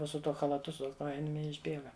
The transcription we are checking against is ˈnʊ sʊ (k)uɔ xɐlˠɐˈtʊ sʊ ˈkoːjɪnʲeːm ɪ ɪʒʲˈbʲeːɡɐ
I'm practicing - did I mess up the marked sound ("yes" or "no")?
yes